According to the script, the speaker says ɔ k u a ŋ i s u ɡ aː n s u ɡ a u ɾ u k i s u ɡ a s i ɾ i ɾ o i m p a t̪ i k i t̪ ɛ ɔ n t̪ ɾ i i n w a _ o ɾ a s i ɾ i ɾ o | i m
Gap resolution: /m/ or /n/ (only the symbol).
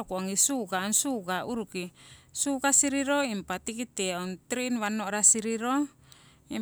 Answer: n